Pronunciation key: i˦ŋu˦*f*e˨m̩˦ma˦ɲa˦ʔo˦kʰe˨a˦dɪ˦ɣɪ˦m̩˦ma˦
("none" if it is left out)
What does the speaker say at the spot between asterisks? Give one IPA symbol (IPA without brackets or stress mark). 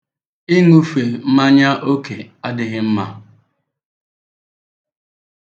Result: f